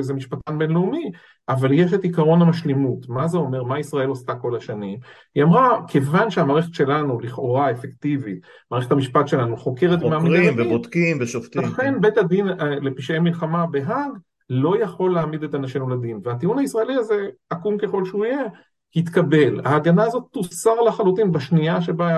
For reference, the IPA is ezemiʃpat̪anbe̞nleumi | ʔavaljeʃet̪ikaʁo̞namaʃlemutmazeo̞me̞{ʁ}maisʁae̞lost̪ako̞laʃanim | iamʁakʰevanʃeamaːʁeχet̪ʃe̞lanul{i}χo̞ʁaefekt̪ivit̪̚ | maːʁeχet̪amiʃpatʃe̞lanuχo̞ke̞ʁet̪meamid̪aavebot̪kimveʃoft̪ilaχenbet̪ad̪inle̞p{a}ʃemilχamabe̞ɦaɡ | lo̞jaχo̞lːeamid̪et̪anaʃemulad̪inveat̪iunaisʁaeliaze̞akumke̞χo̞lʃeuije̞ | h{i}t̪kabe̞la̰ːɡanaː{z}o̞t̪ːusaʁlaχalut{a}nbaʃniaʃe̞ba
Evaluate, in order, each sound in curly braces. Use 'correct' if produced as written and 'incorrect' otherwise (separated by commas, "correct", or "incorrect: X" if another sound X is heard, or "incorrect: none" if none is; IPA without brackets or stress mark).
correct, correct, incorrect: i, correct, correct, incorrect: i